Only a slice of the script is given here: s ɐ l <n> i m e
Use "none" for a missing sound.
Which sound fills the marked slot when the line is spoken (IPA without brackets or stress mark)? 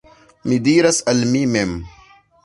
m